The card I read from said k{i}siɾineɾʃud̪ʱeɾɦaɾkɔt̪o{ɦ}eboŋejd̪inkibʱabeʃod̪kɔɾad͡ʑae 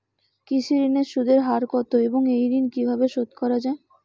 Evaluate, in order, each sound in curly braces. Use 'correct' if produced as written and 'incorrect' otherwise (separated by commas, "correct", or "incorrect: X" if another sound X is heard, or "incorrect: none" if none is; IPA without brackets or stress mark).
correct, incorrect: none